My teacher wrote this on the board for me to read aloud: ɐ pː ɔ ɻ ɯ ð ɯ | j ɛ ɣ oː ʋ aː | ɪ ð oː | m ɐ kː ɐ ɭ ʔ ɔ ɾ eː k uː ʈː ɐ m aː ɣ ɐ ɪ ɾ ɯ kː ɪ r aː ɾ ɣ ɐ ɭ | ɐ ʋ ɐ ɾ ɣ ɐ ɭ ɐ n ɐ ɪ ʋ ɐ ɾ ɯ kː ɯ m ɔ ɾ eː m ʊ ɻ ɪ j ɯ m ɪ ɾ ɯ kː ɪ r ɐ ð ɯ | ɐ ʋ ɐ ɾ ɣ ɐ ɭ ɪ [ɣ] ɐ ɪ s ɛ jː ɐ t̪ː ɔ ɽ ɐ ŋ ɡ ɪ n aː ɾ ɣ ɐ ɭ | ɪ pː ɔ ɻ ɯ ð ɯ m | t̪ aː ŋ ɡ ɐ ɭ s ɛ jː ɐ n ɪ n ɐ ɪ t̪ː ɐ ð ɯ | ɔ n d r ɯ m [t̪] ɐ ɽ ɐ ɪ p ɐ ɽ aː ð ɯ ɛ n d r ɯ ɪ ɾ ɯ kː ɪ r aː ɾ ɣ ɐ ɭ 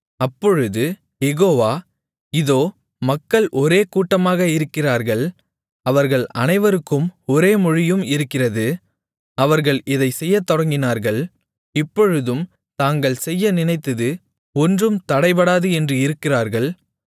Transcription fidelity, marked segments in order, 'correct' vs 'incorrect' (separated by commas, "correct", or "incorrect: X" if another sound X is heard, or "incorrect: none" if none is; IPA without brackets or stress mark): incorrect: ð, correct